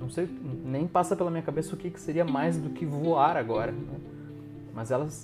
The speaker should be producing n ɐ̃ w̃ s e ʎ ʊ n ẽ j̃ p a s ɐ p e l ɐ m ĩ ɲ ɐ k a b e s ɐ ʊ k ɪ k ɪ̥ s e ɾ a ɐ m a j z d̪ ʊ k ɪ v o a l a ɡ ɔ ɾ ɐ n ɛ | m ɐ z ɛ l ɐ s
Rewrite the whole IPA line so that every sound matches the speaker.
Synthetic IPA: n ɐ̃ w̃ s e j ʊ n ẽ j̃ p a s ɐ p e l ɐ m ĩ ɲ ɐ k a b e s ɐ ʊ k ɪ k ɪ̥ s e ɾ i ɐ m a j z d̪ ʊ k ɪ v o a ɾ a ɡ ɔ ɾ ɐ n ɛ | m ɐ z ɛ l ɐ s